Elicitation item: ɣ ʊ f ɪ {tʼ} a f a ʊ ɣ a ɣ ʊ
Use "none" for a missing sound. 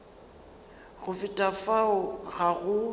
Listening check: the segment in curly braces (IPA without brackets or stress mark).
tʼ